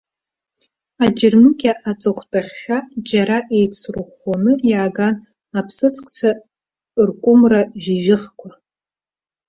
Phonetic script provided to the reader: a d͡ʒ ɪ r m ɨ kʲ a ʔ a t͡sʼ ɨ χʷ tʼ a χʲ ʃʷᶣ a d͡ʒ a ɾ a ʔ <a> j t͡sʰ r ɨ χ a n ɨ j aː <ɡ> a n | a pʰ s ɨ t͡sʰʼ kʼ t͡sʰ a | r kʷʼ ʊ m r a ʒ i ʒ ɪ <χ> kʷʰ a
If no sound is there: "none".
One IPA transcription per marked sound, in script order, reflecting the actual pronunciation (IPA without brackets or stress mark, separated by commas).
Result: e, ɡ, χ